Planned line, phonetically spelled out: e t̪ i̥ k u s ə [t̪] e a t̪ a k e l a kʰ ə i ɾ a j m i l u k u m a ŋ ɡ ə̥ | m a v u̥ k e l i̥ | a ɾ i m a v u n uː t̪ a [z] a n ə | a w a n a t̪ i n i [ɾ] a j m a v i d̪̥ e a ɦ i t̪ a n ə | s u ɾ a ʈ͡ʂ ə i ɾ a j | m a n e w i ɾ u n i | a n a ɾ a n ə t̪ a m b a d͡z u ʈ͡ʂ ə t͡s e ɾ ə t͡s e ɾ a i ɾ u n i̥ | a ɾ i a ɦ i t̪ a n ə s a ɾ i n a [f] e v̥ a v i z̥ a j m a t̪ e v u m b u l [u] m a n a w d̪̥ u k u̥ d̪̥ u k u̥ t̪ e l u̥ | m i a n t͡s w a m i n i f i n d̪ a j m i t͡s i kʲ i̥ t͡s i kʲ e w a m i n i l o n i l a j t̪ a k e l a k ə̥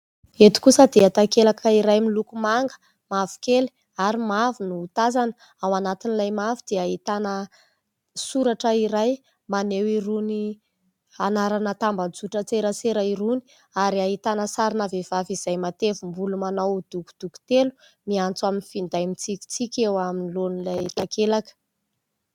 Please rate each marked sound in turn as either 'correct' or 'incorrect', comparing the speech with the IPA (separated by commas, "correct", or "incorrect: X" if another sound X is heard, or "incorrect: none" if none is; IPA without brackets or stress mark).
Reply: incorrect: d̪, correct, incorrect: l, incorrect: v, correct